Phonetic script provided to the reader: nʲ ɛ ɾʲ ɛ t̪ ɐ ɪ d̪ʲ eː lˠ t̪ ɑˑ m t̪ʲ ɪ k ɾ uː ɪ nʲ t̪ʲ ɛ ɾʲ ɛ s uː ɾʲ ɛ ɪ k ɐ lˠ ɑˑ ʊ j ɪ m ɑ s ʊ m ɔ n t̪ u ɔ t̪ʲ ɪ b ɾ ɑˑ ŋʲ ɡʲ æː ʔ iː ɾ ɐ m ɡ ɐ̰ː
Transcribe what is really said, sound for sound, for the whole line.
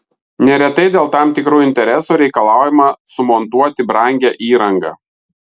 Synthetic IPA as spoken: nʲ ɛ ɾʲ ɛ t̪ ɐ ɪ d̪ʲ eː lˠ t̪ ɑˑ m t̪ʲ ɪ k ɾ uː ɪ nʲ t̪ʲ ɛ ɾʲ ɛ s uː ɾʲ ɛ ɪ k ɐ lˠ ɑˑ ʊ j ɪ m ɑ s ʊ m ɔ n t̪ u ɔ t̪ʲ ɪ b ɾ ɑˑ ŋʲ ɡʲ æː ʔ iː ɾ ɐ ŋ ɡ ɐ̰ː